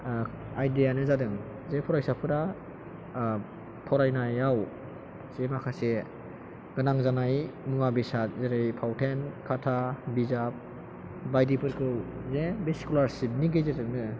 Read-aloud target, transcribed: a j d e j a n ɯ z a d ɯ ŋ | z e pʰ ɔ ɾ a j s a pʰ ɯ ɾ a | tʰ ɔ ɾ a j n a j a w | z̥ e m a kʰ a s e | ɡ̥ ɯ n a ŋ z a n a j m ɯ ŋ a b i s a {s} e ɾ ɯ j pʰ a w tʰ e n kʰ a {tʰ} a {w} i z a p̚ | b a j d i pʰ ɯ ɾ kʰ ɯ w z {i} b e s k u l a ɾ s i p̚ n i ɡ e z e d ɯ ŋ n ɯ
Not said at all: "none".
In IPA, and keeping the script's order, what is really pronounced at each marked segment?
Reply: z, tʰ, b, e

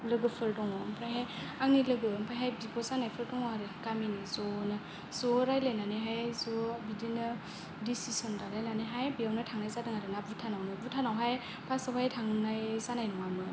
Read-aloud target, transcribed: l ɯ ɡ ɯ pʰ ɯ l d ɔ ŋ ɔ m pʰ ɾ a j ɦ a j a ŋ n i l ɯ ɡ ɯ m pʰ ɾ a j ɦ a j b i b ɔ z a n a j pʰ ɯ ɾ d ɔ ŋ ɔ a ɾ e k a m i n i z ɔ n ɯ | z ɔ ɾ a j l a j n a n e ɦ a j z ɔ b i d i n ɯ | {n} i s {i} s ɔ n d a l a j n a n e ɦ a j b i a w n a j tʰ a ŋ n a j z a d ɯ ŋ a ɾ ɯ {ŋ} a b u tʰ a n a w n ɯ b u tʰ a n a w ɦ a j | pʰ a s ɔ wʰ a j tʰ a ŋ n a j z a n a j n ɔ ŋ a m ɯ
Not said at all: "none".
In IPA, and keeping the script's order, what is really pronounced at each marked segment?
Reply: d, i, n

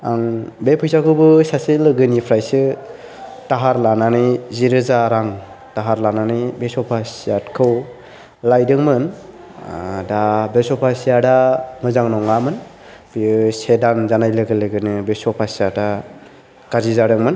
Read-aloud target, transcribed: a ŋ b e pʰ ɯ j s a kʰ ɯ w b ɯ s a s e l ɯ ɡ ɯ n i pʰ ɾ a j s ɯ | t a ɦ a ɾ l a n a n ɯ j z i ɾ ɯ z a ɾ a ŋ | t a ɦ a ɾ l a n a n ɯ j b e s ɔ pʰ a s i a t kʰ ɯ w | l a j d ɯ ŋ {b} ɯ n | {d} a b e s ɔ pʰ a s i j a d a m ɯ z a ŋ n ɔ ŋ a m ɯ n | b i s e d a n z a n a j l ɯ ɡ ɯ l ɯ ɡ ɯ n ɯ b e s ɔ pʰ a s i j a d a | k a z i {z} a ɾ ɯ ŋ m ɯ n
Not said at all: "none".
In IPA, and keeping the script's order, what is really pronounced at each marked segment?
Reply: m, d, z

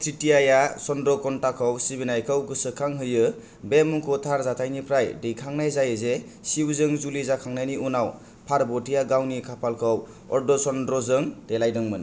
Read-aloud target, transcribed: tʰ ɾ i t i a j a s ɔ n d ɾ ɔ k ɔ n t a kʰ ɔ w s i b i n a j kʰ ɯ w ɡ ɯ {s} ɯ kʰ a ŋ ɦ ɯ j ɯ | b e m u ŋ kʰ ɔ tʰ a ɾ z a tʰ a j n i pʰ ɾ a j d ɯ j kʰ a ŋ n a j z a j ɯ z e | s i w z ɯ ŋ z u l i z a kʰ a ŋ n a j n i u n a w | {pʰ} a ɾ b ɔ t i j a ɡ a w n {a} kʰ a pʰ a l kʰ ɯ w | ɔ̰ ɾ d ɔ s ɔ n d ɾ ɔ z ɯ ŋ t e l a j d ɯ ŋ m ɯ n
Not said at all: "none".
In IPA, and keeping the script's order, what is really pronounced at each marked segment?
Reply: s, pʰ, i

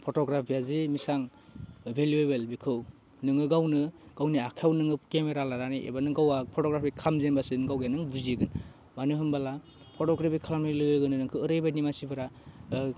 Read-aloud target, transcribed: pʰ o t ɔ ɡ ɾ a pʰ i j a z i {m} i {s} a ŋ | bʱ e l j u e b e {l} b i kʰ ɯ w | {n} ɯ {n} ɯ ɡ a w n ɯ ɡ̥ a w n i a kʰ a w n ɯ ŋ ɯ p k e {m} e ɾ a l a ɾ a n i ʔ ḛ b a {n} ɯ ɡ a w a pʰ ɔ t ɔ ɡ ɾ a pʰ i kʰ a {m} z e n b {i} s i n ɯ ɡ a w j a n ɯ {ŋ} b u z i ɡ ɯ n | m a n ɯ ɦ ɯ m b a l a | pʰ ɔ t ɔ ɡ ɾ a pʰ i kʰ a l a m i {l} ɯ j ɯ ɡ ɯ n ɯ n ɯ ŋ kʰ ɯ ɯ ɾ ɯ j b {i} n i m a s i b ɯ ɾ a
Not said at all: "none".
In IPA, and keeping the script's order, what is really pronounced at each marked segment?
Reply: m, s, l, n, ŋ, m, n, m, a, ŋ, l, a

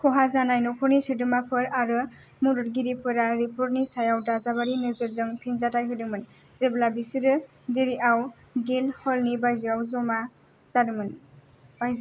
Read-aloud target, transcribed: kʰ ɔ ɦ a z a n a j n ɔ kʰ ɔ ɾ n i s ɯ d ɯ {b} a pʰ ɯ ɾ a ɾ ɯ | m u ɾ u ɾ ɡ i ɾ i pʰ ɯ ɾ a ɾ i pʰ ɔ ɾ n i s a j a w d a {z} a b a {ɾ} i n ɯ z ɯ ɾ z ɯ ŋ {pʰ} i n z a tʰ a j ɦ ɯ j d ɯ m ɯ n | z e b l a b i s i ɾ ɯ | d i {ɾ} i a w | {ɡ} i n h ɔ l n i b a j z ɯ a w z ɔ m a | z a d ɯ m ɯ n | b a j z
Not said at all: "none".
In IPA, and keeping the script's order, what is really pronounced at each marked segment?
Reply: m, z, ɾ, pʰ, ɾ, ɡ

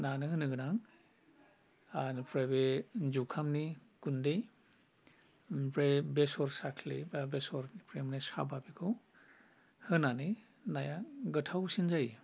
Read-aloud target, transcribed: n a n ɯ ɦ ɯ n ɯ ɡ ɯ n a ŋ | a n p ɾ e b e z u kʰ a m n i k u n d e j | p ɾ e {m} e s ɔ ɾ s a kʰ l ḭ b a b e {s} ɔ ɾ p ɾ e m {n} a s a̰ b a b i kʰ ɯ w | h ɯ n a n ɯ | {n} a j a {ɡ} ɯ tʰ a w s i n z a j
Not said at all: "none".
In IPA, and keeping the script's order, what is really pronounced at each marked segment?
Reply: b, s, n, n, ɡ

